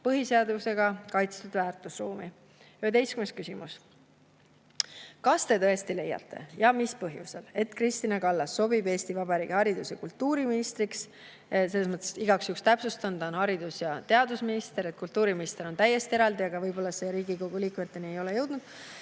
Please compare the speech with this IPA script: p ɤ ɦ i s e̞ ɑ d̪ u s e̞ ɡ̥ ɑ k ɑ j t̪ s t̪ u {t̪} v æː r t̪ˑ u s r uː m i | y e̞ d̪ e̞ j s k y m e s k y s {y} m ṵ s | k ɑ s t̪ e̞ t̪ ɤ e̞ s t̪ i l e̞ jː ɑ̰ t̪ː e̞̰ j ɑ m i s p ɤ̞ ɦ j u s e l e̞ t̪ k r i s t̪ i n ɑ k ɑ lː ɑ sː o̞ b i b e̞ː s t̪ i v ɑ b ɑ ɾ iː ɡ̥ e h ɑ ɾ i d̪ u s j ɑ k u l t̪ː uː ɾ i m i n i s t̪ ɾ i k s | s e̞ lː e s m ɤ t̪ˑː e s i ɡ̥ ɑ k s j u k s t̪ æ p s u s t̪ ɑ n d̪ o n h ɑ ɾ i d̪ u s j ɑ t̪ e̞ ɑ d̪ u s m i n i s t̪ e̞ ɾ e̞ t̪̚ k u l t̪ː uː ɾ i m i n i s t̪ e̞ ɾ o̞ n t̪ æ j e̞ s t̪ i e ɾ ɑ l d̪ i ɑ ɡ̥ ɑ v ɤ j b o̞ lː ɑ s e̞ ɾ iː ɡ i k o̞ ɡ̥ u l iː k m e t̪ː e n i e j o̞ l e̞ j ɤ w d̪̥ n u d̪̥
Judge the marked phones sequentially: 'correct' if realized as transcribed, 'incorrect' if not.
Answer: incorrect, incorrect

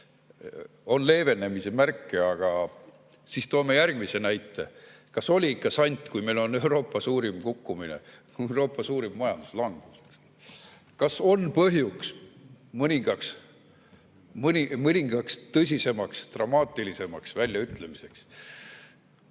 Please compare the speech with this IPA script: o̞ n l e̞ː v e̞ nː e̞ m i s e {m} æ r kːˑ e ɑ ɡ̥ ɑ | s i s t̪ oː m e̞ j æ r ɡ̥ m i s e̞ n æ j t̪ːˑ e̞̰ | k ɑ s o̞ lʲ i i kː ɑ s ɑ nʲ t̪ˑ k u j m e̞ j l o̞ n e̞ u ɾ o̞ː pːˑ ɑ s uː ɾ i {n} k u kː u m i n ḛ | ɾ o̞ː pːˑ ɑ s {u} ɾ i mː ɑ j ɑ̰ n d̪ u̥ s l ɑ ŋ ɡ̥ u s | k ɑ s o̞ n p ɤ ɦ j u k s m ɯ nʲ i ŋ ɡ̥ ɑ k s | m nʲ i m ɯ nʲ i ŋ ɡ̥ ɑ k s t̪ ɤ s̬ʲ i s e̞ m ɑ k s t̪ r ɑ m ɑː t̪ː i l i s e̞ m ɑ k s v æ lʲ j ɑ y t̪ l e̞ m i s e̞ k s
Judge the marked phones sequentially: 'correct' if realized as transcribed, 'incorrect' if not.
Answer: correct, incorrect, incorrect

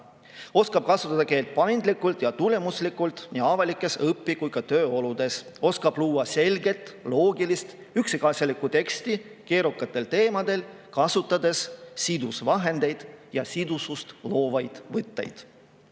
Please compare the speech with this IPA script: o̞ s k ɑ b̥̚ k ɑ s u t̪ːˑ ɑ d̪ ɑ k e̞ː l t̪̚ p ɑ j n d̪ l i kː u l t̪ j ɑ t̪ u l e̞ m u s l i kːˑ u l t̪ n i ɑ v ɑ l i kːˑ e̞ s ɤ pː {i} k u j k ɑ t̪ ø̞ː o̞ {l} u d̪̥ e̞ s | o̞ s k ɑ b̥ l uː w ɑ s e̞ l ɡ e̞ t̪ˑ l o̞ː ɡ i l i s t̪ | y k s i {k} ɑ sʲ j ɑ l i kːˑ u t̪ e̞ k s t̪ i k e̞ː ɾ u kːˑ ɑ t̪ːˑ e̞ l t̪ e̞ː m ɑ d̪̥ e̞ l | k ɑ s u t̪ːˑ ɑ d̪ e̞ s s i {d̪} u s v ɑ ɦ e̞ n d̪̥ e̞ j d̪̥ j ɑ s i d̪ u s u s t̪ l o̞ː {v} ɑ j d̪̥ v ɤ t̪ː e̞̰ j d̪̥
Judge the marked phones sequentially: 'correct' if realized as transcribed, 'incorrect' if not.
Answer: correct, correct, correct, correct, correct

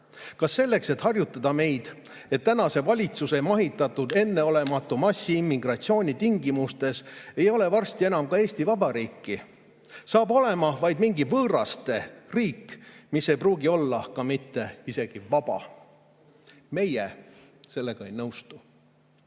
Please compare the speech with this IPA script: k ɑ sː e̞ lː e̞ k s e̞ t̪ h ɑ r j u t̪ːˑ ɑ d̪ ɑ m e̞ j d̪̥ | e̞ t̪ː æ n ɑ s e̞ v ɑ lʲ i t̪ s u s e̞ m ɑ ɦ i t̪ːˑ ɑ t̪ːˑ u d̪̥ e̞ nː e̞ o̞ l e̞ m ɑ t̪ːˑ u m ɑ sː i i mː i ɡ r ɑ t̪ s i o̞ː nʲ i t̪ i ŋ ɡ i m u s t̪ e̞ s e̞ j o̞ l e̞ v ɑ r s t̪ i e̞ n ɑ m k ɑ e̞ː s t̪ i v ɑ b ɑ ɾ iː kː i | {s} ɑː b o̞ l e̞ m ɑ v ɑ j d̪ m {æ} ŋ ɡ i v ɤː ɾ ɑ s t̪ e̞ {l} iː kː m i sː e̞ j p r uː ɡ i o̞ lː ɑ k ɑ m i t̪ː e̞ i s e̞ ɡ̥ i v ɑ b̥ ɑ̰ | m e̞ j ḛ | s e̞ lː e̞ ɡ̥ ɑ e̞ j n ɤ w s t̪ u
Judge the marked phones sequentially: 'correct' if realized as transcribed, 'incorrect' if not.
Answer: correct, incorrect, incorrect

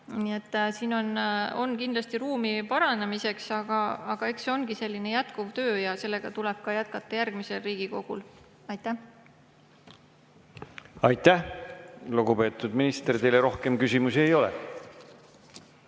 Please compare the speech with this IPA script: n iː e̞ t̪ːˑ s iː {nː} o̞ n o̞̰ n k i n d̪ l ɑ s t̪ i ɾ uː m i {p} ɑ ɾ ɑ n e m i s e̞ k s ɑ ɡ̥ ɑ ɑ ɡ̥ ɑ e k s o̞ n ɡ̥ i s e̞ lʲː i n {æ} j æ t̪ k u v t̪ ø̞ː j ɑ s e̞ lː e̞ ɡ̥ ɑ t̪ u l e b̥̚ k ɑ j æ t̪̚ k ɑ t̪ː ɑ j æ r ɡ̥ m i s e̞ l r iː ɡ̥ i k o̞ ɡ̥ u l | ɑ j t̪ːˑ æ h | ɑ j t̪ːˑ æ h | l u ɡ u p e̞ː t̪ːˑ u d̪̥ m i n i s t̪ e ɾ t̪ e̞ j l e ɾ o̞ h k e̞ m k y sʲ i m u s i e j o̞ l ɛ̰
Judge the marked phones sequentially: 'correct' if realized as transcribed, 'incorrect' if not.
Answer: incorrect, correct, incorrect

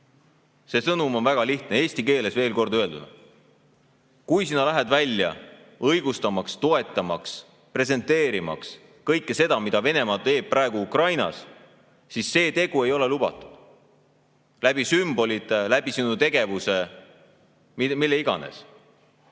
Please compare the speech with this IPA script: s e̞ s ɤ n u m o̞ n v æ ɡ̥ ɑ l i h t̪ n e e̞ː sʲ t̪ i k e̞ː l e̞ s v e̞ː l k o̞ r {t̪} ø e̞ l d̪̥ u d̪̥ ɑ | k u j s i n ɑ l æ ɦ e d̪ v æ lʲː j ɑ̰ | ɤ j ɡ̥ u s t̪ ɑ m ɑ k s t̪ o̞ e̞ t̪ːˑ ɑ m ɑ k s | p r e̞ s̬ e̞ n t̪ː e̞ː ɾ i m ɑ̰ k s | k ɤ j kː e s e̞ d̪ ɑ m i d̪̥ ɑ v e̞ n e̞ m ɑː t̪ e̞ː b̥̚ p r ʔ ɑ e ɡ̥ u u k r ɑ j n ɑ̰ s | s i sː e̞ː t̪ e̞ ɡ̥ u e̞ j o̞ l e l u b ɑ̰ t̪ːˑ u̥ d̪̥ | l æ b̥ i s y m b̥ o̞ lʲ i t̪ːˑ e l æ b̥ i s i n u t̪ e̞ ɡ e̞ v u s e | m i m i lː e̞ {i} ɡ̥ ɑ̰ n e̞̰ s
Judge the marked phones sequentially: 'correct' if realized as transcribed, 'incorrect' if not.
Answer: incorrect, correct

